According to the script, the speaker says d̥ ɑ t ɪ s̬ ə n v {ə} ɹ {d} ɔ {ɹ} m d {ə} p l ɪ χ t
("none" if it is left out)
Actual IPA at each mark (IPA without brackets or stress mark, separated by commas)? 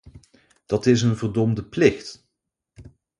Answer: ə, d, none, ə